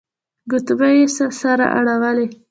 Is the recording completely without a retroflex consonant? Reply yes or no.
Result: no